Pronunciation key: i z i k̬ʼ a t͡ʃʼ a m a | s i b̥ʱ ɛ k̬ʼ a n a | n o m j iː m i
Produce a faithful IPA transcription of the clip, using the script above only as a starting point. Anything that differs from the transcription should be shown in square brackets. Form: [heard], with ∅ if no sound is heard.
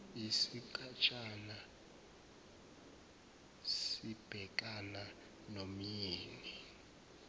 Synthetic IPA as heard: i [s] i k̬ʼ a t͡ʃʼ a [n] a | s i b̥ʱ ɛ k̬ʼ a n a | n o m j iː [n] i